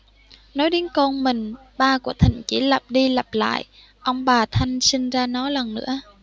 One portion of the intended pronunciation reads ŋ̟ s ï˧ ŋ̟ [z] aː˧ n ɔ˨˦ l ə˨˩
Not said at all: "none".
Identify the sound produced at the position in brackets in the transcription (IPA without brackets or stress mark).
z